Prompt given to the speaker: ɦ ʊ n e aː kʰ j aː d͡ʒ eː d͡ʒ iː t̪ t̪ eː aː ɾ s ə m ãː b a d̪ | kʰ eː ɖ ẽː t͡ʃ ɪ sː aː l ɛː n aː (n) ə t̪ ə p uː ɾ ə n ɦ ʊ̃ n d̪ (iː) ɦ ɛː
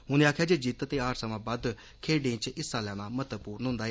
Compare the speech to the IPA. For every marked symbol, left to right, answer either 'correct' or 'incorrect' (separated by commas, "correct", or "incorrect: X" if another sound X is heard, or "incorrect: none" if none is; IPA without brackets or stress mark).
incorrect: m, incorrect: aː